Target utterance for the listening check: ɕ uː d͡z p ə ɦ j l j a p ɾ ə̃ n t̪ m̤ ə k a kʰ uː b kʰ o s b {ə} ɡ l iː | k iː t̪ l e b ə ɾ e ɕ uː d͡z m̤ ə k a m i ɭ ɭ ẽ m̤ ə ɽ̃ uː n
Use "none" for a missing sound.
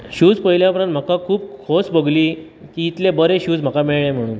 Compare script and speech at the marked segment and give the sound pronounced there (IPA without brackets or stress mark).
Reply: ə